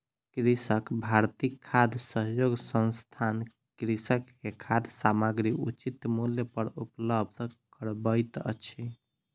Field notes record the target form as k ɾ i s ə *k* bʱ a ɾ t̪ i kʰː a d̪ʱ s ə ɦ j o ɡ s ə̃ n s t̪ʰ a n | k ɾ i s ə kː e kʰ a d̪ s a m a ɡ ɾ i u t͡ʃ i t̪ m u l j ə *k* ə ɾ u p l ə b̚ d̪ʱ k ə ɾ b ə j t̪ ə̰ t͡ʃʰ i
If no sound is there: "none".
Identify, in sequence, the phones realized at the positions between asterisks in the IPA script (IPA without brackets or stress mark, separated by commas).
k, p